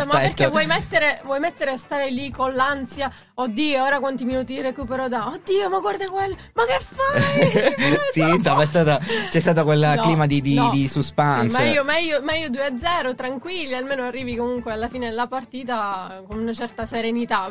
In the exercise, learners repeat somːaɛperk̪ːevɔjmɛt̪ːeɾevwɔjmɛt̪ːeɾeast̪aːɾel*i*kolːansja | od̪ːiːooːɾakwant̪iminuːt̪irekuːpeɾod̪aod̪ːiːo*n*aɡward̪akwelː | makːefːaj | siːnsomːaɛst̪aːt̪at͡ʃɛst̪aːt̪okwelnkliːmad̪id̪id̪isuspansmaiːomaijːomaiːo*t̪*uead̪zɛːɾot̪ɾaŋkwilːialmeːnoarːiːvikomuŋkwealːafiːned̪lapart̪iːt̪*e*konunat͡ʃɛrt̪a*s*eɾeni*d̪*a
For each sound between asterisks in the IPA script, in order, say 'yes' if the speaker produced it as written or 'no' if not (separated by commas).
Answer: yes, no, no, no, yes, no